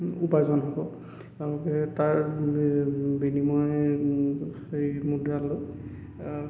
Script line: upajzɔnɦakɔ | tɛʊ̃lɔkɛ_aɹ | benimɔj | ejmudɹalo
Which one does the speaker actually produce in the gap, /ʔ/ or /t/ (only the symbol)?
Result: t